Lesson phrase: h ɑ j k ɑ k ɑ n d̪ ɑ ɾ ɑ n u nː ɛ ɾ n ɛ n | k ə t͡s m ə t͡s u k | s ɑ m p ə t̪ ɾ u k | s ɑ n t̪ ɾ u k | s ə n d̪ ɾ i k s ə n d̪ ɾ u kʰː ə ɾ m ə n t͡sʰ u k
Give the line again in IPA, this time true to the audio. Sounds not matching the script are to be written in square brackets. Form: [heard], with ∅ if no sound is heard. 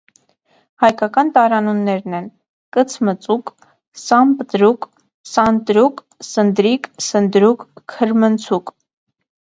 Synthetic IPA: h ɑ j k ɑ k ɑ n [t̪] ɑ ɾ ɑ n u nː ɛ ɾ n ɛ n | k ə [t͡sʰ] m ə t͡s u k | s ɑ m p ə t̪ ɾ u k | s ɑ n t̪ ɾ u k | s ə n d̪ ɾ i k s ə n d̪ ɾ u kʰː ə ɾ m ə n t͡sʰ u k